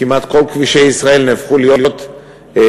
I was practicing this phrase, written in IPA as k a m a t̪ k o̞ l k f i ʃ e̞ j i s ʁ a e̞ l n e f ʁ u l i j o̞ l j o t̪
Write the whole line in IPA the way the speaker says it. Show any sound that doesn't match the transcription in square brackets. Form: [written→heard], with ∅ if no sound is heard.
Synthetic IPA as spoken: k [a→i] m a t̪ k o̞ l k [f→v] i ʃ e̞ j i s ʁ a e̞ l n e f [ʁ→χ] u l i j o̞ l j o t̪